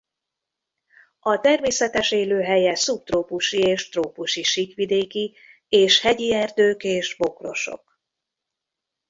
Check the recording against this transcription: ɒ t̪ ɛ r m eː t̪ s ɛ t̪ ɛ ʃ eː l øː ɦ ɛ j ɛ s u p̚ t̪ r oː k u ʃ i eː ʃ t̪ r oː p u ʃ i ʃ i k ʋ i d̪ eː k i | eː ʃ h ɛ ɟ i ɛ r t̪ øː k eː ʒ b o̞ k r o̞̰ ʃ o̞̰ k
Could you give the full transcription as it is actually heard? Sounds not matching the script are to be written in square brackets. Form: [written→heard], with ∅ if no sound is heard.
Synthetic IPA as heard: ɒ t̪ ɛ r m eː [t̪→∅] s ɛ t̪ ɛ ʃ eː l øː ɦ ɛ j ɛ s u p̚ t̪ r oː [k→p] u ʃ i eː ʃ t̪ r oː p u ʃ i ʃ i k ʋ i d̪ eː k i | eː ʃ h ɛ ɟ i ɛ r [t̪→d̪] øː k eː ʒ b o̞ k r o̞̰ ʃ o̞̰ k